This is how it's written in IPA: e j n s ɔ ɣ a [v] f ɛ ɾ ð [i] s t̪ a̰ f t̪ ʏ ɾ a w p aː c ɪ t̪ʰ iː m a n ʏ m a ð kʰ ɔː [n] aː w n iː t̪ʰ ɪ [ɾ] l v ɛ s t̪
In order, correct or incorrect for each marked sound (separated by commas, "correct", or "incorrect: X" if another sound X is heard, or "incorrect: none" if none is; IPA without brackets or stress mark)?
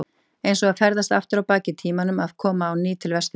incorrect: ð, incorrect: a, incorrect: m, incorrect: none